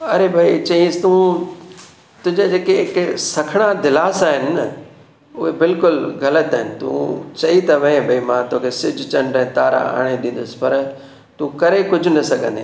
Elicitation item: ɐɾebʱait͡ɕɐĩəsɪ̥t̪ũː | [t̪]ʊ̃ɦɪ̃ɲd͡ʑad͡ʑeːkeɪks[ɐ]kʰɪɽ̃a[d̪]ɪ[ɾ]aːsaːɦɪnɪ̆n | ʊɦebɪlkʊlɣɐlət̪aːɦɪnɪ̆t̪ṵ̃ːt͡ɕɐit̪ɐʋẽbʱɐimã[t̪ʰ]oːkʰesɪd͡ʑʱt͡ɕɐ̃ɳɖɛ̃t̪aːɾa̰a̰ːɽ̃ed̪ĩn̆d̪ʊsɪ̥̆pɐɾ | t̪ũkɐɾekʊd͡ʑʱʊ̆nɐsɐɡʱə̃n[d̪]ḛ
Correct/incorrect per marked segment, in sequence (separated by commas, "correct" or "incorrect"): correct, correct, correct, incorrect, incorrect, correct